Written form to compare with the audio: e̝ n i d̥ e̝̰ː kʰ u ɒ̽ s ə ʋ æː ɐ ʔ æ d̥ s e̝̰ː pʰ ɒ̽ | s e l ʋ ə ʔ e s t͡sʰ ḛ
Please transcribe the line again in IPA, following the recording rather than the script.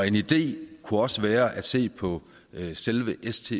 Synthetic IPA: e̝ n i d̥ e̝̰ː kʰ u ɒ̽ s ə ʋ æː ɐ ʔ æ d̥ s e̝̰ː pʰ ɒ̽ | s e l ʋ ə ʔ e s t͡sʰ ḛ